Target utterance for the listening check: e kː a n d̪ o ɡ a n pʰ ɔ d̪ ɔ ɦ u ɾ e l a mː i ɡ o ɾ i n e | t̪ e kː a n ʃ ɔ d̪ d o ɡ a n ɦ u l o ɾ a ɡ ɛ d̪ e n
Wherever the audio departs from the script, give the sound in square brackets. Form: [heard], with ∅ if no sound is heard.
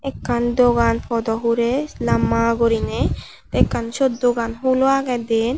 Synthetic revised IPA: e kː a n d̪ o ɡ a n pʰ ɔ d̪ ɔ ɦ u ɾ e l a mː [a] ɡ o ɾ i n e | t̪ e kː a n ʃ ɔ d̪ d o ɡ a n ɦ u l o [∅] a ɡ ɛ d̪ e n